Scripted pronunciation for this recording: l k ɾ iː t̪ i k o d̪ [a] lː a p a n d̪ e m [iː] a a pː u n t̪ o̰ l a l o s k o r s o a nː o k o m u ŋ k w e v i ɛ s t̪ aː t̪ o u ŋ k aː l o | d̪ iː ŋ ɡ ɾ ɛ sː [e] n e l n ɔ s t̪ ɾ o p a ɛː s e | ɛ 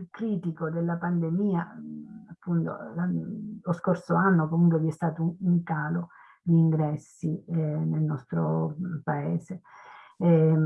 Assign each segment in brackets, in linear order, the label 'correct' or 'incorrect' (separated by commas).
incorrect, correct, incorrect